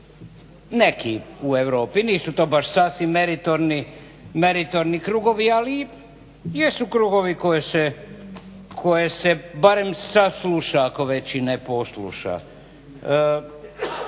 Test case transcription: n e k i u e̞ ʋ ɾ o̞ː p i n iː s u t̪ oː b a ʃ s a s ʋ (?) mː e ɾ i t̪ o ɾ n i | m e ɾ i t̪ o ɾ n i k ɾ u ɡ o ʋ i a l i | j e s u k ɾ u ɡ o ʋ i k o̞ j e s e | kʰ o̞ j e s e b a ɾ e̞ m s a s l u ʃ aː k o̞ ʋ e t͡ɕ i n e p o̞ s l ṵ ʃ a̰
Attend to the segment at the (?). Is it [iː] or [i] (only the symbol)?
i